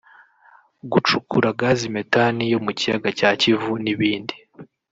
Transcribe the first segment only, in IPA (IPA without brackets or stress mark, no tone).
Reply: ɡ